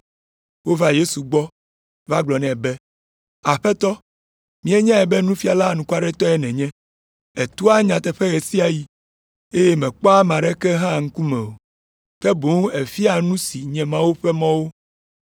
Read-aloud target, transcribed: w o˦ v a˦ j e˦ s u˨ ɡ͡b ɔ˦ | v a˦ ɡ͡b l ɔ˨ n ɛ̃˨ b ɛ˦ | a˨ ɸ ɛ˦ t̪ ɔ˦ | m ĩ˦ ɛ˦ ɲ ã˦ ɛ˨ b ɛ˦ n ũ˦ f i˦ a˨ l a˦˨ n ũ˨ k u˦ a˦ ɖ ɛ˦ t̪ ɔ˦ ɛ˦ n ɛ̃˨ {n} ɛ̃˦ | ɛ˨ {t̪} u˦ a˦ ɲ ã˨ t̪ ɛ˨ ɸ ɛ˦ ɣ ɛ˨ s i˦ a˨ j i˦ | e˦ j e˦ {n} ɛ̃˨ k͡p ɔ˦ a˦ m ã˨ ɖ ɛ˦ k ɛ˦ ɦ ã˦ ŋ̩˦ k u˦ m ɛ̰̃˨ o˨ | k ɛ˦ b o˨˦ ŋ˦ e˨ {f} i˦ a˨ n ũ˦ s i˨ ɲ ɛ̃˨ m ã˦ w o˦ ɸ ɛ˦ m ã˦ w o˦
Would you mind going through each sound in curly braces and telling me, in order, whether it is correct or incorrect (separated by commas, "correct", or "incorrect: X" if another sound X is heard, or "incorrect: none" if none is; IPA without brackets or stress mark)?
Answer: incorrect: ɲ, correct, incorrect: m, correct